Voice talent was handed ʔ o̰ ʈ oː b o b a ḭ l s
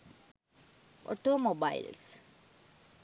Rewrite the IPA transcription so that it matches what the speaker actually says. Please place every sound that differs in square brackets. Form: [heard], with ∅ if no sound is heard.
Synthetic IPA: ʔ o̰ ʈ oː [m] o b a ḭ l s